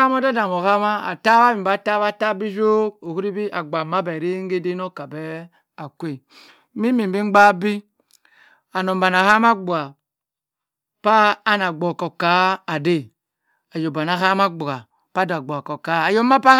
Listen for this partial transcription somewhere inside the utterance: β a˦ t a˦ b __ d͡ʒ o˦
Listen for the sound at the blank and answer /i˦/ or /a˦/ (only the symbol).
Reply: i˦